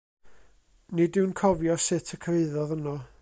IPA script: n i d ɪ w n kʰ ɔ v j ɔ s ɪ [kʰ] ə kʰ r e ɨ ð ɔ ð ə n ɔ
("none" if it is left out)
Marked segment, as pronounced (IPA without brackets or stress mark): tʰ